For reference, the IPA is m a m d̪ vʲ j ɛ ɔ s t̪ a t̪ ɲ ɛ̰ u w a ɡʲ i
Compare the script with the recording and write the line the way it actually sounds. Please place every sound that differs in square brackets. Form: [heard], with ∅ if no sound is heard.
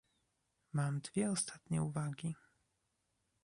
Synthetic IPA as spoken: m a m d̪ vʲ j ɛ ɔ s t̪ a t̪ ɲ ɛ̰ u [v] a ɡʲ i

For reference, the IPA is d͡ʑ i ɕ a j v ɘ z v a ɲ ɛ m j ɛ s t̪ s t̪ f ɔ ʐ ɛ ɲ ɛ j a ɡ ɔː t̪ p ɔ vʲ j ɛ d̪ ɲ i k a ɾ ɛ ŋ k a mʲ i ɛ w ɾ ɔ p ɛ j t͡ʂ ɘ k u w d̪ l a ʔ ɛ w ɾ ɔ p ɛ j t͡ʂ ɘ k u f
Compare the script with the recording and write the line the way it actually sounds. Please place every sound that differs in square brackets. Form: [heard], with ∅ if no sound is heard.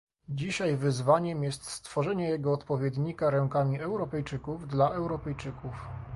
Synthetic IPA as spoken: d͡ʑ i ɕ a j v ɘ z v a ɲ ɛ m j ɛ s t̪ s t̪ f ɔ ʐ ɛ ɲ ɛ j [ɛ] ɡ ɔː t̪ p ɔ vʲ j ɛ d̪ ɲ i k a ɾ ɛ ŋ k a mʲ i ɛ w ɾ ɔ p ɛ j t͡ʂ ɘ k u [v] d̪ l a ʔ ɛ w ɾ ɔ p ɛ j t͡ʂ ɘ k u f

